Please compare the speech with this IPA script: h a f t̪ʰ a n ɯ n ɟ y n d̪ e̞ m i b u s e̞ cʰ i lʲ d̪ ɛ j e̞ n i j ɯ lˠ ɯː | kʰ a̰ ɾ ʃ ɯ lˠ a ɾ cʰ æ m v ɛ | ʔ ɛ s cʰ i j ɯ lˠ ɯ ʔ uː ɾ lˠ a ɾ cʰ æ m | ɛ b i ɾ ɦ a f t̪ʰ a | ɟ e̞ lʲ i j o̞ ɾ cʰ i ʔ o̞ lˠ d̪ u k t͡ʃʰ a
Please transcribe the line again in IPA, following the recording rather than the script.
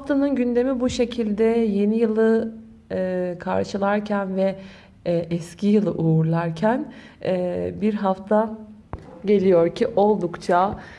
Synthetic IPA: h a f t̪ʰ a n ɯ n ɟ y n d̪ e̞ m i b u ʃ e̞ cʰ i lʲ d̪ ɛ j e̞ n i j ɯ lˠ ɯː | kʰ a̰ ɾ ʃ ɯ lˠ a ɾ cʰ æ n v ɛ | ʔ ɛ s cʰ i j ɯ lˠ ɯ ʔ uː ɾ lˠ a ɾ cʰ æ n | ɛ b i ɾ ɦ a f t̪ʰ a | ɟ e̞ lʲ i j o̞ ɾ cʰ i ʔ o̞ lˠ d̪ u k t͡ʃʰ a